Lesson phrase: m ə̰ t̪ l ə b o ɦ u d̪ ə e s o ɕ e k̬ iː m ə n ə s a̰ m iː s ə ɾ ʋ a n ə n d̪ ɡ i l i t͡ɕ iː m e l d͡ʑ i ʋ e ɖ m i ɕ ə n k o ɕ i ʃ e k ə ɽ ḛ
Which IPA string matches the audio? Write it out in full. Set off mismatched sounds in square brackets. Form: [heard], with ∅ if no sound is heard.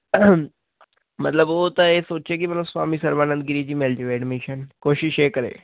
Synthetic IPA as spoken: m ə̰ t̪ l ə b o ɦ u [t̪] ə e s o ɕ e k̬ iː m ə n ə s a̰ m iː s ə ɾ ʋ a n ə n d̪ ɡ i [ɾ] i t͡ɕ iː m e l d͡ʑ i ʋ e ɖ m i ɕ ə n k o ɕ i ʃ e k ə [ɾ] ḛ

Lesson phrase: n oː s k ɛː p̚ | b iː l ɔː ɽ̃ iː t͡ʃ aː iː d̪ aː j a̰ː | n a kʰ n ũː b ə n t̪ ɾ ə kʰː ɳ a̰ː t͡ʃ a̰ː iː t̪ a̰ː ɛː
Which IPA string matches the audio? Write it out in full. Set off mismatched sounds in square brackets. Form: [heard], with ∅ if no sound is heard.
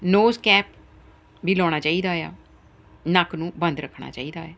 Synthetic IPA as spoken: n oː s k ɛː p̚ | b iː l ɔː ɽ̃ [aː] t͡ʃ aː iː d̪ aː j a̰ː | n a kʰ n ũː b ə n [d̪] ɾ ə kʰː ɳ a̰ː t͡ʃ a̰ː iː [d̪] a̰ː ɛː

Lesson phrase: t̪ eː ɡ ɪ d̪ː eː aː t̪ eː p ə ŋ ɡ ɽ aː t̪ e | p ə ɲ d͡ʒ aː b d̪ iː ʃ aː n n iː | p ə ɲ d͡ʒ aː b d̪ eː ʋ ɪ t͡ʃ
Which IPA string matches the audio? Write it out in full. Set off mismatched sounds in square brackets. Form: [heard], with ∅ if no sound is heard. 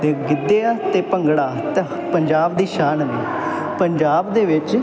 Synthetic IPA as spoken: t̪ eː ɡ ɪ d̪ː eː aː t̪ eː p ə ŋ ɡ ɽ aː t̪ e | p ə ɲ d͡ʒ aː b d̪ iː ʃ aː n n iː | p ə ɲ d͡ʒ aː b d̪ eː ʋ ɪ t͡ʃ

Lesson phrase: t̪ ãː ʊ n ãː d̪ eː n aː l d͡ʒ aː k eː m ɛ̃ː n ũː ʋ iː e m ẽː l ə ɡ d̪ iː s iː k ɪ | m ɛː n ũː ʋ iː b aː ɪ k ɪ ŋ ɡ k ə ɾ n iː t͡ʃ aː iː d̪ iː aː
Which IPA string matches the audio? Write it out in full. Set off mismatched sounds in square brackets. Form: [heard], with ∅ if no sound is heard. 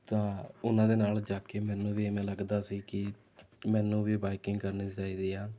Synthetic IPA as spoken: t̪ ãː ʊ n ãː d̪ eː n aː l d͡ʒ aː k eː m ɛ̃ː n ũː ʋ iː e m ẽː l ə ɡ d̪ [aː] s iː k ɪ | m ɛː n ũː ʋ iː b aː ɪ k ɪ ŋ ɡ k ə ɾ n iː t͡ʃ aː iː d̪ iː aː

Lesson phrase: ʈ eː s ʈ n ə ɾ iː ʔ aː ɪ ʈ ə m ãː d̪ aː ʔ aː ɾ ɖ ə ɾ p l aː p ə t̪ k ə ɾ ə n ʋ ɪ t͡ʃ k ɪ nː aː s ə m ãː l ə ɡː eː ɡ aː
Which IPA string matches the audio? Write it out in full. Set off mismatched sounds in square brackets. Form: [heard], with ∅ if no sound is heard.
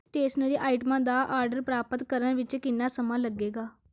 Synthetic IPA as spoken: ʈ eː s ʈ n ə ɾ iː ʔ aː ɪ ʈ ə m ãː d̪ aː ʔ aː ɾ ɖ ə ɾ p [ɾ] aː p ə t̪ k ə ɾ ə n ʋ ɪ t͡ʃ k ɪ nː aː s ə m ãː l ə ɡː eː ɡ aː

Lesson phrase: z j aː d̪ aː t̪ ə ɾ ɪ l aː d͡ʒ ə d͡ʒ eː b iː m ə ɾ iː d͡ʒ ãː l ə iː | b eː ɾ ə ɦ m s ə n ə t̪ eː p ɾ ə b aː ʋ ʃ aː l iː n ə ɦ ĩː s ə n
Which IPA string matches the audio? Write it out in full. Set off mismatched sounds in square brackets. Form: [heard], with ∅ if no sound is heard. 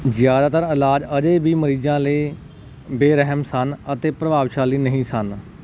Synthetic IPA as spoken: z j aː d̪ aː t̪ ə ɾ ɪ l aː d͡ʒ ə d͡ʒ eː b iː m ə ɾ iː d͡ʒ ãː l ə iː | b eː ɾ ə ɦ m s ə n ə t̪ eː p ɾ ə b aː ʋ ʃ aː l iː n ə ɦ ĩː s ə n

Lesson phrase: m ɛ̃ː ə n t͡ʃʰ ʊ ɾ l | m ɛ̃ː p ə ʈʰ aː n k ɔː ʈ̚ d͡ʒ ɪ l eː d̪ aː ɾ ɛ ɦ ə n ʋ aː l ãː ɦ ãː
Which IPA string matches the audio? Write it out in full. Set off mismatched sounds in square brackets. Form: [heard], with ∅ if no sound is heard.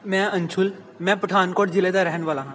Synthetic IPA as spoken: m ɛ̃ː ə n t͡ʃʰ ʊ [∅] l | m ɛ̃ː p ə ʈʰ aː n k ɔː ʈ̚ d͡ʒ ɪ l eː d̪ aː ɾ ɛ ɦ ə n ʋ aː l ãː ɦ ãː

